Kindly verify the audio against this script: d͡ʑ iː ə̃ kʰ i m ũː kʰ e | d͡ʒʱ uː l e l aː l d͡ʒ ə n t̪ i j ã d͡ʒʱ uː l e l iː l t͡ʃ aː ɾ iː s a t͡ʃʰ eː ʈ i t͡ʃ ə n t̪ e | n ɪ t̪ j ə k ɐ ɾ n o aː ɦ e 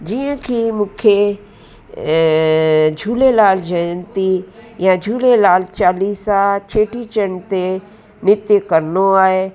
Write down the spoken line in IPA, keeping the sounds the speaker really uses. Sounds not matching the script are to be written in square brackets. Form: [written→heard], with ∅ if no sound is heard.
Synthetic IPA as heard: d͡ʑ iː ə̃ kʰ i m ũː kʰ e | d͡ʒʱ uː l e l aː l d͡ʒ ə n t̪ i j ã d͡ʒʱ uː l e l [iː→aː] l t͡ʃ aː [ɾ→l] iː s a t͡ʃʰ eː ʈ i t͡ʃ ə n t̪ e | n ɪ t̪ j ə k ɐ ɾ n o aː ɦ e

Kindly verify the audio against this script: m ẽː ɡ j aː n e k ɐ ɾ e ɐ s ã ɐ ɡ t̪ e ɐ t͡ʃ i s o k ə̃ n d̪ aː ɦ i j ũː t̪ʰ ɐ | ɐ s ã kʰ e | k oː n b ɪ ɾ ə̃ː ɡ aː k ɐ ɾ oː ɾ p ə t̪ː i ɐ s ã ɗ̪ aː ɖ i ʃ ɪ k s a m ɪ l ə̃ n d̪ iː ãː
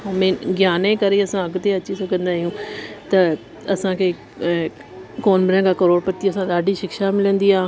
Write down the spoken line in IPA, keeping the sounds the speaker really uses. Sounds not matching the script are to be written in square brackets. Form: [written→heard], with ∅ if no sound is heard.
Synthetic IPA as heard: m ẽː ɡ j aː n e k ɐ ɾ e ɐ s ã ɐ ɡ t̪ e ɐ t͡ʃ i s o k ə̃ n d̪ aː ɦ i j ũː [t̪ʰ→t̪] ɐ | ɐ s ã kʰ e | k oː n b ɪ ɾ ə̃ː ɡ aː k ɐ ɾ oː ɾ p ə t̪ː i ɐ s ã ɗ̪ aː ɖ i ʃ ɪ k [s→ʃ] a m ɪ l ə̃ n d̪ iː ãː

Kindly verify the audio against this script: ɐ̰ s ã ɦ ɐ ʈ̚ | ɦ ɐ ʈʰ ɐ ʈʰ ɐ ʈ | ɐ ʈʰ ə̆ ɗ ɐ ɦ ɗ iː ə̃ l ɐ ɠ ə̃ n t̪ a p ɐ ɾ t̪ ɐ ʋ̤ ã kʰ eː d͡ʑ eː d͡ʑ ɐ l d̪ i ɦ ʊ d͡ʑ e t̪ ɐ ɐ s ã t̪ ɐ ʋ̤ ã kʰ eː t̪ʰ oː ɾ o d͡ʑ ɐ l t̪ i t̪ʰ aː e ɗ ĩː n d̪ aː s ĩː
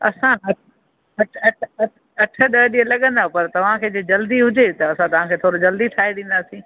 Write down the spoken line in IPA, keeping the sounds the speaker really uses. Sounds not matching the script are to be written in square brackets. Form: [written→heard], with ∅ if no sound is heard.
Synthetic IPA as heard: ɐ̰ s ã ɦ ɐ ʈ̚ | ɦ ɐ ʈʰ ɐ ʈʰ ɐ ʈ | ɐ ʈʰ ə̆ ɗ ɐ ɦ ɗ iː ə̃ l ɐ ɠ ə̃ n [t̪→d̪] a p ɐ ɾ t̪ ɐ ʋ̤ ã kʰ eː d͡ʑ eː d͡ʑ ɐ l d̪ i ɦ ʊ d͡ʑ e t̪ ɐ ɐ s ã t̪ ɐ ʋ̤ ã kʰ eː t̪ʰ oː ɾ o d͡ʑ ɐ l [t̪→d̪] i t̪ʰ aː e ɗ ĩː n d̪ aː s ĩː

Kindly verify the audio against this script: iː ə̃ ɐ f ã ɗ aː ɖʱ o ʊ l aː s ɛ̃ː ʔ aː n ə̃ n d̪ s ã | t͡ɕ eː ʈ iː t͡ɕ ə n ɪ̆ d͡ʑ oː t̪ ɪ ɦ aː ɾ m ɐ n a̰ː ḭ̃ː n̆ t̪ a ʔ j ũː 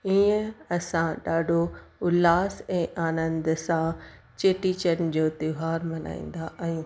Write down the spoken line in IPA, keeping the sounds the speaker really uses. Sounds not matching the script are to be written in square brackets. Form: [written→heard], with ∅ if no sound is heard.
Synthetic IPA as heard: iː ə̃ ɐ [f→s] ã ɗ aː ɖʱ o ʊ l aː s ɛ̃ː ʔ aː n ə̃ n d̪ s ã | t͡ɕ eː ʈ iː t͡ɕ ə n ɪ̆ d͡ʑ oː t̪ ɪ ɦ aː ɾ m ɐ n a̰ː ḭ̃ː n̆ [t̪→d̪] a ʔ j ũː

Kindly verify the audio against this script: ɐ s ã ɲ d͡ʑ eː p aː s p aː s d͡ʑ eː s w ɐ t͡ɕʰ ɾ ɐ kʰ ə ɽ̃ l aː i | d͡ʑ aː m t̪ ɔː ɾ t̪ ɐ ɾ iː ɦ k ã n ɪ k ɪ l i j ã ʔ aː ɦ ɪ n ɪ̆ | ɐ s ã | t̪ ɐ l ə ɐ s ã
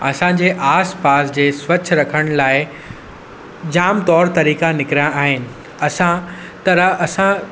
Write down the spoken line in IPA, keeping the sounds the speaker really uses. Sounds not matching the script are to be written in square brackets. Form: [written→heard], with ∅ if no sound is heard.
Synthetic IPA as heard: ɐ s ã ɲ d͡ʑ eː [p→ʔ] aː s p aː s d͡ʑ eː s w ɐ t͡ɕʰ ɾ ɐ kʰ ə ɽ̃ l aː [i→ɪ] | d͡ʑ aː m t̪ ɔː ɾ t̪ ɐ ɾ iː [ɦ→∅] k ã n ɪ k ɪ [l→ɾ] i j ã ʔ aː ɦ ɪ n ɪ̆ | ɐ s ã | t̪ ɐ [l→ɾ] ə ɐ s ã

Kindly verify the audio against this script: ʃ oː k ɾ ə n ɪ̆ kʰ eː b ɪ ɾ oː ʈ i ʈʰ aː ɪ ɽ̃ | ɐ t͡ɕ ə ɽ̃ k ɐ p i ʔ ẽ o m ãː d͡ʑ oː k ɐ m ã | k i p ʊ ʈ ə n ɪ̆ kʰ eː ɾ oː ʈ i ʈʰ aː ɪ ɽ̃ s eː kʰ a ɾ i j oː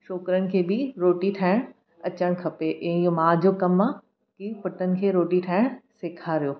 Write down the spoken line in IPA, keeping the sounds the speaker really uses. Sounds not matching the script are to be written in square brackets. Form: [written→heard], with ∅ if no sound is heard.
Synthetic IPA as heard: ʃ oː k ɾ ə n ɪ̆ kʰ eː b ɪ ɾ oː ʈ i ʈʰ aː ɪ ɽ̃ | ɐ t͡ɕ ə ɽ̃ [k→kʰ] ɐ p [i→e] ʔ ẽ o m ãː d͡ʑ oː k ɐ m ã | k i p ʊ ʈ ə n ɪ̆ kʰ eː ɾ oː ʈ i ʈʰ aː ɪ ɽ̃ s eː kʰ a ɾ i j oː

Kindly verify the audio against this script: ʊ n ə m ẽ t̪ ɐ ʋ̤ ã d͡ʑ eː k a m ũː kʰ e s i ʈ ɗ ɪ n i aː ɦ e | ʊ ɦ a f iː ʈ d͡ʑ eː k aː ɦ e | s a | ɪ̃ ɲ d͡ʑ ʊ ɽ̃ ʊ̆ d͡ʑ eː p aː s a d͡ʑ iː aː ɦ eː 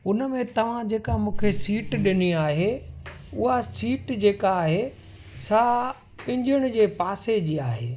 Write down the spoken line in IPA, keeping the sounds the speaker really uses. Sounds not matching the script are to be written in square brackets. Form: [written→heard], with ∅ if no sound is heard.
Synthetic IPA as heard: ʊ n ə m ẽ t̪ ɐ ʋ̤ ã d͡ʑ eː k a m ũː kʰ e s [i→iː] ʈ ɗ ɪ n i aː ɦ e | ʊ ɦ a [f→s] iː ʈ d͡ʑ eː k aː ɦ e | s a | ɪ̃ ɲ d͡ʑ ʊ ɽ̃ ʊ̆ d͡ʑ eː p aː s [a→e] d͡ʑ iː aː ɦ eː

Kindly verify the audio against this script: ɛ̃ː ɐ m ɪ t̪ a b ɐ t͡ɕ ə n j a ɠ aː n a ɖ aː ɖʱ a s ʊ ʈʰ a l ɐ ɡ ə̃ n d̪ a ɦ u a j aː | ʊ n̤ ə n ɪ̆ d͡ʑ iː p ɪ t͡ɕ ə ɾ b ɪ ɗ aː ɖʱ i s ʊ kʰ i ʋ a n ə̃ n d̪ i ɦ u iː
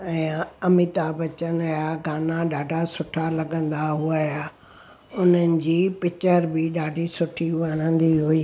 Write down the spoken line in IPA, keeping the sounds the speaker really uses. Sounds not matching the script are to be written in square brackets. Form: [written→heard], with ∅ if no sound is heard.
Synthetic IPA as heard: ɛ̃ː ɐ m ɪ t̪ a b ɐ t͡ɕ ə n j a [ɠ→ɡ] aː n a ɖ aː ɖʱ a s ʊ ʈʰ a l ɐ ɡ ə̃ n d̪ a ɦ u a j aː | ʊ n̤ ə n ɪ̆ d͡ʑ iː p ɪ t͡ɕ ə ɾ b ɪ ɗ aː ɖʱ i s ʊ [kʰ→ʈʰ] i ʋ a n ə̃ n d̪ i ɦ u iː

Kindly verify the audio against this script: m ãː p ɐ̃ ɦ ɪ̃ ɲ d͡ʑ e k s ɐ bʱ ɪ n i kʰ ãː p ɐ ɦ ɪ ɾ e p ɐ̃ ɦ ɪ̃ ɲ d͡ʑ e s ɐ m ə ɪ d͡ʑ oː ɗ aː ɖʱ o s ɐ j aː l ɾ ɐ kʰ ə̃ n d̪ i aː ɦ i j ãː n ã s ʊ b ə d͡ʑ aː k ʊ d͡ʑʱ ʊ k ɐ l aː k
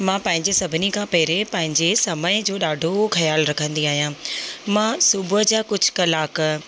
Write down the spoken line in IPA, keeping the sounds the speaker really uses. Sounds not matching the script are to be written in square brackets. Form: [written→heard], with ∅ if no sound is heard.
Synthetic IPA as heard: m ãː p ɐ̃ ɦ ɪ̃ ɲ d͡ʑ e [k→∅] s ɐ bʱ ɪ n i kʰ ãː p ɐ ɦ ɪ ɾ e p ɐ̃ ɦ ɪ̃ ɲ d͡ʑ e s ɐ m ə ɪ d͡ʑ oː ɗ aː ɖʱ o [s→x] ɐ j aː l ɾ ɐ kʰ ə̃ n d̪ i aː ɦ i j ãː [n→m] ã s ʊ b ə d͡ʑ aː k ʊ d͡ʑʱ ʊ k ɐ l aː k

